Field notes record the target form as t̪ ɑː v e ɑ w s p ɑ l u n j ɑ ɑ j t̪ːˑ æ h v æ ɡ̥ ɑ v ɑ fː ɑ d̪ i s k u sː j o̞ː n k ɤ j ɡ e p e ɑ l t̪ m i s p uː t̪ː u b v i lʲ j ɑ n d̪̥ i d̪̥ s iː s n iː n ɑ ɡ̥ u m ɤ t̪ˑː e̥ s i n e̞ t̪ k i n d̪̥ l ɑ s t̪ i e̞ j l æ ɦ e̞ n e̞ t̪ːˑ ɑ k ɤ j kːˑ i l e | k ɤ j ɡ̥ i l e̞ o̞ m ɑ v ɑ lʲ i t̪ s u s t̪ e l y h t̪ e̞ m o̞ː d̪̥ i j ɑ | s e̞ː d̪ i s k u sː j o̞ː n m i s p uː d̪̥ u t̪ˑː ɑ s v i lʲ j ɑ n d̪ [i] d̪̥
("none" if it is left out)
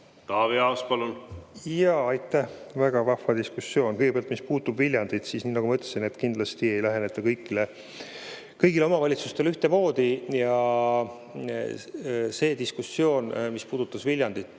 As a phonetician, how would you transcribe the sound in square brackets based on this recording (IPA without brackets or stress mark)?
i